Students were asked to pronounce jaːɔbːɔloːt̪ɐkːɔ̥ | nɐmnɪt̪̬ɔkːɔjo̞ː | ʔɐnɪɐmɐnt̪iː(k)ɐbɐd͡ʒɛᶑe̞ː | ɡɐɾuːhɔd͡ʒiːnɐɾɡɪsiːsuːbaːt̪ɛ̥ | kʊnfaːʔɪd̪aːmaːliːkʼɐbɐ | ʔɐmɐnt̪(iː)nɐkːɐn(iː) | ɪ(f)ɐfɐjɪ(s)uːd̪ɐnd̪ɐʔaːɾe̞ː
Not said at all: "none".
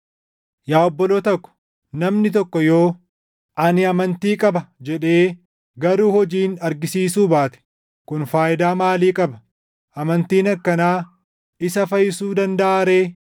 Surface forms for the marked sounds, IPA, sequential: kʼ, iː, aː, s, s

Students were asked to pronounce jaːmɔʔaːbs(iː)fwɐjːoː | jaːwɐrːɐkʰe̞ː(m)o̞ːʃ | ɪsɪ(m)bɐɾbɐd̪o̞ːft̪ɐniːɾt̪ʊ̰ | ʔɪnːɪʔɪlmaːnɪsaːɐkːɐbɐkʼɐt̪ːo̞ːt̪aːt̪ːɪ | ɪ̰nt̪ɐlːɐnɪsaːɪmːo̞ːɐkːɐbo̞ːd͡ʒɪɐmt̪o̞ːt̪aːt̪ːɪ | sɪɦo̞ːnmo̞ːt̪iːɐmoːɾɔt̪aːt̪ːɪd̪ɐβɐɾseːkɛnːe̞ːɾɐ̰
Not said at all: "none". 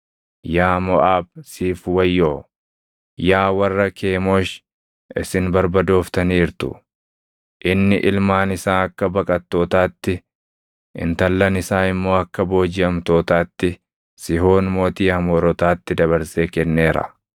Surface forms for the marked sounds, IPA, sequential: iː, m, n

